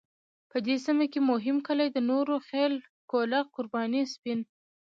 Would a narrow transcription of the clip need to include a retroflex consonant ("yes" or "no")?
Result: no